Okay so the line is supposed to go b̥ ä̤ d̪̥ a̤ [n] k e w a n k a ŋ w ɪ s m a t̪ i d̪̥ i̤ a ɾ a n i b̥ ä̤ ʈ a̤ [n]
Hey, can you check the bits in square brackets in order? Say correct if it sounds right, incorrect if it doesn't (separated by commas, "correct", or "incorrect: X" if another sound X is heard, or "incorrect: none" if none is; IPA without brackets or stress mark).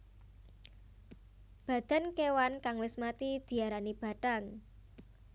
correct, incorrect: ŋ